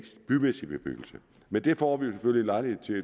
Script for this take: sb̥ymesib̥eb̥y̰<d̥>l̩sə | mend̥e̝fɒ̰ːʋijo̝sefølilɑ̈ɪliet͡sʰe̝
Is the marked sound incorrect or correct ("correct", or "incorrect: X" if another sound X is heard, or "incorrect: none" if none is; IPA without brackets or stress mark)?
incorrect: ɡ̥